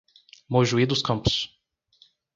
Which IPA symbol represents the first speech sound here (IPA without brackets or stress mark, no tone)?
m